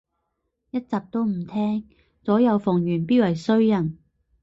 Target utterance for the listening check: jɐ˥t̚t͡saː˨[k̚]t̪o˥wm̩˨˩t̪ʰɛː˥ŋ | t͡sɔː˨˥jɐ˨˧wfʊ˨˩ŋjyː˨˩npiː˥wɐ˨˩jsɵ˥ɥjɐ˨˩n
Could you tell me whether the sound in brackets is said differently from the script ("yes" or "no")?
yes